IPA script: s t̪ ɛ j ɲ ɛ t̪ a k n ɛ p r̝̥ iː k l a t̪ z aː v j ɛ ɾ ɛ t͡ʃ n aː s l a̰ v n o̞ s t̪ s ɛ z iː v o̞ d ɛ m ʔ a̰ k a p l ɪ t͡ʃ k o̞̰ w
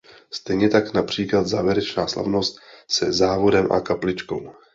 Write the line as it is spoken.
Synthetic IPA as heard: s t̪ ɛ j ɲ ɛ t̪ a k n a p r̝̥ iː k l a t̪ z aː v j ɛ ɾ ɛ t͡ʃ n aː s l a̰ v n o̞ s t̪ s ɛ z aː v o̞ d ɛ m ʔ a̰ k a p l ɪ t͡ʃ k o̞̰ w